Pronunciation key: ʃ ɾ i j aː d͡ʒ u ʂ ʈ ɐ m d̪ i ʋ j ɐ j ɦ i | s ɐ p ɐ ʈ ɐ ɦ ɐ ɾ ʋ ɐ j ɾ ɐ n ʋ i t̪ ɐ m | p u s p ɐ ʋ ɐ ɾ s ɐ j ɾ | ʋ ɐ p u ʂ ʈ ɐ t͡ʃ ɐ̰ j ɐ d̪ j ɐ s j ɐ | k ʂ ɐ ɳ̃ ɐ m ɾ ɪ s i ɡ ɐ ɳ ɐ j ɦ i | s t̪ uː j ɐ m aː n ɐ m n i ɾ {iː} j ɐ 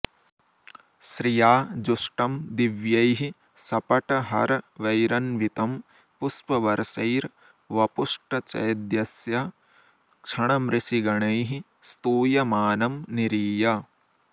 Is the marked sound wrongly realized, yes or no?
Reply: no